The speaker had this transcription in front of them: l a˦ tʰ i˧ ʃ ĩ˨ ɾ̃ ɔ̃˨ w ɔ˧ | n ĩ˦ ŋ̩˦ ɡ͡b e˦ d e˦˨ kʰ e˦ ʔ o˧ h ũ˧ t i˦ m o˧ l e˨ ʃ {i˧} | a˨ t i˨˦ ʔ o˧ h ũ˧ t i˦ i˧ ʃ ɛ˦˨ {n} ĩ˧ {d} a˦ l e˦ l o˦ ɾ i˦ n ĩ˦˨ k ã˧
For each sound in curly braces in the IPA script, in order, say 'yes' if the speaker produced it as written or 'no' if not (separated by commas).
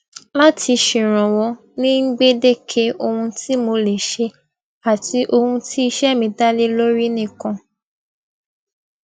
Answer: no, no, yes